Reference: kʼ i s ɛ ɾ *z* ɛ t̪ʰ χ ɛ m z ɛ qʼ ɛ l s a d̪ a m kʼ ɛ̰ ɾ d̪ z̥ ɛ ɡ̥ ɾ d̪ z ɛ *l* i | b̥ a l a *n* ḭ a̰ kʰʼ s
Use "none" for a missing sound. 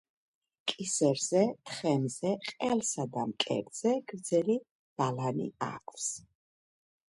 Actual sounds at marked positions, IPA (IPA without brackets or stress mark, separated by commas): z, l, n